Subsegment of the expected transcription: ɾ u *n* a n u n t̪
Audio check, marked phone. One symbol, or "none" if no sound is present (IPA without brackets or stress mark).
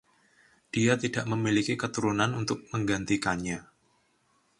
n